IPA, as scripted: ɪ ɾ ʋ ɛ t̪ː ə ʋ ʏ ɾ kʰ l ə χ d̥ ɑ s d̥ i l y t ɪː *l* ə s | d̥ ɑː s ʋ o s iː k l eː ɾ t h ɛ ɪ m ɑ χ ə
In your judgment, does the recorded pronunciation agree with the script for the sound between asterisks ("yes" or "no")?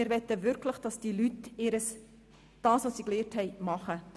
no